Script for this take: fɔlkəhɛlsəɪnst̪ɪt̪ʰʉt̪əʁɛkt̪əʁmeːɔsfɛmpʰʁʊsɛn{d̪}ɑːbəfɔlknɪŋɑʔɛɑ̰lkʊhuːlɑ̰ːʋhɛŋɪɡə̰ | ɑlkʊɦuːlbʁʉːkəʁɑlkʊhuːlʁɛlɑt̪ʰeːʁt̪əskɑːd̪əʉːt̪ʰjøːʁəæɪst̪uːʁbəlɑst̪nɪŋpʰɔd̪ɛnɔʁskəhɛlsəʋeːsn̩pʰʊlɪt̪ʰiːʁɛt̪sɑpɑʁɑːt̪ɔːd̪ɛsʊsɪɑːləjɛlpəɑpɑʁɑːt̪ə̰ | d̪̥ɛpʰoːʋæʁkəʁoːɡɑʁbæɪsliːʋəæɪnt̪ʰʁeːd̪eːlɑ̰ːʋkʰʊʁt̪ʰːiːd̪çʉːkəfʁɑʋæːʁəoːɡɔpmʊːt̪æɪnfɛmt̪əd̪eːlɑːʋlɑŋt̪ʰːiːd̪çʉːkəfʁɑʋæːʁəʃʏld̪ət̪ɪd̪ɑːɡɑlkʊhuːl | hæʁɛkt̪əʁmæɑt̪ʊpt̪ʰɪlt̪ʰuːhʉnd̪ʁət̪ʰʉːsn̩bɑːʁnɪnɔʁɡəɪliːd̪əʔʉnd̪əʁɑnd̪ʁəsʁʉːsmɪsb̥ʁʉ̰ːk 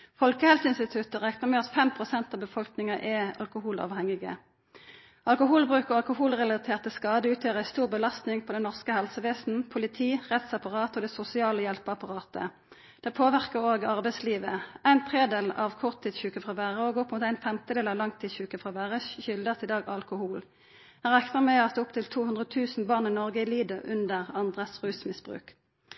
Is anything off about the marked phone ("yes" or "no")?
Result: yes